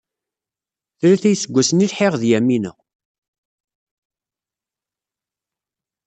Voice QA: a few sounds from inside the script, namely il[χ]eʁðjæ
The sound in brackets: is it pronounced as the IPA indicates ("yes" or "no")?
no